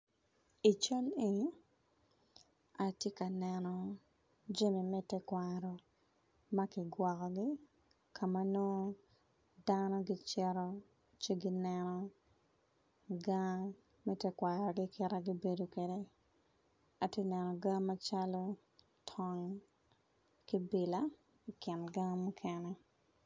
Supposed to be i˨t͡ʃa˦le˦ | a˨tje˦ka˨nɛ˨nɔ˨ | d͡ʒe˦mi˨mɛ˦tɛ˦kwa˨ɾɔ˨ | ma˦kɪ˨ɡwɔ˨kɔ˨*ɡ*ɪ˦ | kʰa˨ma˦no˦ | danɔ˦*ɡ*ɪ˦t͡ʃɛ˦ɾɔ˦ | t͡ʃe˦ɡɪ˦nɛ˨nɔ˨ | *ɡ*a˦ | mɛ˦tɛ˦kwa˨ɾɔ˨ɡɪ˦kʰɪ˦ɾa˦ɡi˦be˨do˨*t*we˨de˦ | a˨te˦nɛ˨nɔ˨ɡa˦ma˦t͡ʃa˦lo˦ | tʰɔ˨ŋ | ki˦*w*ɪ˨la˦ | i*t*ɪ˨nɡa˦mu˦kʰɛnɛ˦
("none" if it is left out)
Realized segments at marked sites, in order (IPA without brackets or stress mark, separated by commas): ɡ, ɡ, ɡ, k, b, k